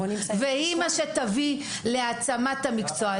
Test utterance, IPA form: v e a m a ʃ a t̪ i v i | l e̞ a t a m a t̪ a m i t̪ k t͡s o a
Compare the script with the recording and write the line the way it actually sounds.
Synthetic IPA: v e i m a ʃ e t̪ a v i | l e̞ a t͡s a m a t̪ a m i k t͡s o a